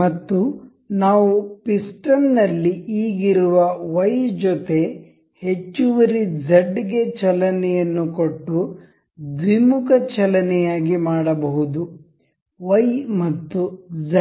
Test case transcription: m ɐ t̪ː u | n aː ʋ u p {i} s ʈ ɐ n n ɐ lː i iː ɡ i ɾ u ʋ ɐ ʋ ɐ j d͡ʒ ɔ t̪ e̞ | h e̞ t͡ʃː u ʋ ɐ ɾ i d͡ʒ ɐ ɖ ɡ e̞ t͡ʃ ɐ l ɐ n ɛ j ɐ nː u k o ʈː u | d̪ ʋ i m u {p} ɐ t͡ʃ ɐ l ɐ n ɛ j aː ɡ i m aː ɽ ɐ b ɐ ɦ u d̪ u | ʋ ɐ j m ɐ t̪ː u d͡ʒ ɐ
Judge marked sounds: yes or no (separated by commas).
yes, no